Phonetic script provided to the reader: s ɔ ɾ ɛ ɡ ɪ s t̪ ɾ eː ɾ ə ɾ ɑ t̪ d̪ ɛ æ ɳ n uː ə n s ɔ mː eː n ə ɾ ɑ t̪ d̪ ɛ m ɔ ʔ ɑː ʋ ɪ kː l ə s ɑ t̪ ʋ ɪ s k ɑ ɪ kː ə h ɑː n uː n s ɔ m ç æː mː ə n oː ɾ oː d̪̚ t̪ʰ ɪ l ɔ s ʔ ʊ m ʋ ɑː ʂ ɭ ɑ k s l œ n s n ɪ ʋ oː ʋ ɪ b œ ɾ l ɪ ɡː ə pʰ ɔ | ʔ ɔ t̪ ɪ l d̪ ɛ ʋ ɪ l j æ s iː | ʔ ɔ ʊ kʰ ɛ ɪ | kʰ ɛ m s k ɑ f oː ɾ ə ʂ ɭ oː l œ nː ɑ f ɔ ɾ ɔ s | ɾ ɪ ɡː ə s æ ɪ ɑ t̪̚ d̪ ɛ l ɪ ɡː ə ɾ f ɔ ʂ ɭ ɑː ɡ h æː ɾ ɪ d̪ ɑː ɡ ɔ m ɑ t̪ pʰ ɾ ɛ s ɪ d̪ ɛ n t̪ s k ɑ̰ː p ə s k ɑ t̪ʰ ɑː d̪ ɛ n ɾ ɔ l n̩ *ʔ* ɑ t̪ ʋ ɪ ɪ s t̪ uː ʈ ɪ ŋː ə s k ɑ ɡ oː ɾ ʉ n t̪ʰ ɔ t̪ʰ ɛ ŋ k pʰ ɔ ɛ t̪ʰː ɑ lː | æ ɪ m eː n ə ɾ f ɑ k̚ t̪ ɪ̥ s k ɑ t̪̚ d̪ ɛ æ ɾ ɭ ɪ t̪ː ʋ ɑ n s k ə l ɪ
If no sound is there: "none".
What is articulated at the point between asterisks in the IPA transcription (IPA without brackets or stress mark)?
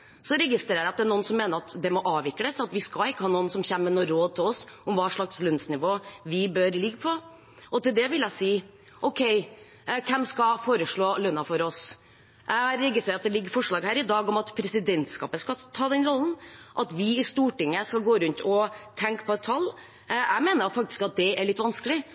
ʔ